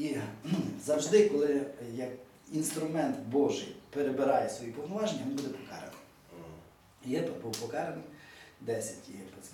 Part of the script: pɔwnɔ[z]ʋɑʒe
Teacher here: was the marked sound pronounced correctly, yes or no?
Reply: no